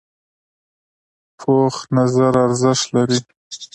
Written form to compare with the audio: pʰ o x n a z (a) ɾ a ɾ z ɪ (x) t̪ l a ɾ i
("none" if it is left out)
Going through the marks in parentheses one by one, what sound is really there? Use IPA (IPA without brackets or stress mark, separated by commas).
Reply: a, ʃ